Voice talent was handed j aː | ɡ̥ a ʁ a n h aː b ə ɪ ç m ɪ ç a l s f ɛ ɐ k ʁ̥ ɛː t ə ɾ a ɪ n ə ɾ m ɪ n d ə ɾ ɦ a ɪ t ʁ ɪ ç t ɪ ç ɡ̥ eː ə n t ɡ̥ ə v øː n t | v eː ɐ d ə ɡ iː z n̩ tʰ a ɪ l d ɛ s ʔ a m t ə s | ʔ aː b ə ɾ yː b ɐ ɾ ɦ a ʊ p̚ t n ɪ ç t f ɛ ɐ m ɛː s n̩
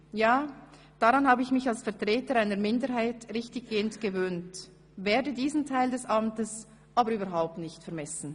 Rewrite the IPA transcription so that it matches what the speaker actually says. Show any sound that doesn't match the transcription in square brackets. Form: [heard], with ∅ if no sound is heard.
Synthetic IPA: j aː | [d̥] a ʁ a n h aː b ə ɪ ç m ɪ ç a l s f ɛ ɐ [t] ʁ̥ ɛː t ə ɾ a ɪ n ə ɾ m ɪ n d ə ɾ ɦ a ɪ t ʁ ɪ ç t ɪ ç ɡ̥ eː ə n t ɡ̥ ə v øː n t | v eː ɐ d ə [d] iː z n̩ tʰ a ɪ l d ɛ s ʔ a m t ə s | ʔ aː b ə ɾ yː b ɐ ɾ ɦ a ʊ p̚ t n ɪ ç t f ɛ ɐ m [ɛ] s n̩